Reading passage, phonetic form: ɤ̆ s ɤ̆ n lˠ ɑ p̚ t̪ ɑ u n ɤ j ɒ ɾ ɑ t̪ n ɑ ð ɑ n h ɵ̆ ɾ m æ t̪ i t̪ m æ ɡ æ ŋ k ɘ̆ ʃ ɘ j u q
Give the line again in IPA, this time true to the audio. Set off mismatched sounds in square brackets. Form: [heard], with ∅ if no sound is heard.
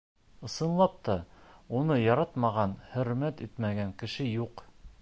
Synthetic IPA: ɤ̆ s ɤ̆ n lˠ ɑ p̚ t̪ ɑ u n ɤ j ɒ ɾ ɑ t̪ [m] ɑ [ʁ] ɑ n h ɵ̆ ɾ m æ t̪ i t̪ m æ ɡ æ ŋ k ɘ̆ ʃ ɘ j u q